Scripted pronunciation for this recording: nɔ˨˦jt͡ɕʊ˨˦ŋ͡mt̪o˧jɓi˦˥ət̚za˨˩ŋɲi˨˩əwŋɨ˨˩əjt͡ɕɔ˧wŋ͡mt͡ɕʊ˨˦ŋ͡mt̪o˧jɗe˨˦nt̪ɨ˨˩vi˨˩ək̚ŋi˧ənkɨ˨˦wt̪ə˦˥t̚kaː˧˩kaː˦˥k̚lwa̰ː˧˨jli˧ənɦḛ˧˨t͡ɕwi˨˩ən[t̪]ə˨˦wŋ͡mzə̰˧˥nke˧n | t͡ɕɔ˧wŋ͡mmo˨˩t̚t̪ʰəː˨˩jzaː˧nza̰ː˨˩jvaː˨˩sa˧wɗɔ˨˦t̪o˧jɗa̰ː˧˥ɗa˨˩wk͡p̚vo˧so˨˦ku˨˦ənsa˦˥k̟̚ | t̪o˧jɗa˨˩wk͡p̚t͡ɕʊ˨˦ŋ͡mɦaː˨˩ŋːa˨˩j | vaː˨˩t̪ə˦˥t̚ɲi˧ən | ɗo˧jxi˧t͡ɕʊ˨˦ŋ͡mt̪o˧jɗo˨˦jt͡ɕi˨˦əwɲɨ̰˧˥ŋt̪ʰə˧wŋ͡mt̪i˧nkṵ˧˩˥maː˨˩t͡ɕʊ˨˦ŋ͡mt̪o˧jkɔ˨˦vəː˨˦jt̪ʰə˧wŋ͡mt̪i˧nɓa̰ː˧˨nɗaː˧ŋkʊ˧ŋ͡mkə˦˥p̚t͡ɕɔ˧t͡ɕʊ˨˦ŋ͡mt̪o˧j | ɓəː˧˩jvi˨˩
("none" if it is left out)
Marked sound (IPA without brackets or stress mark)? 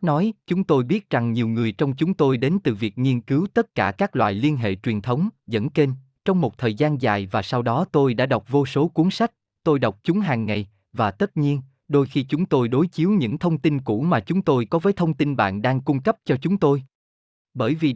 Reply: t̪ʰ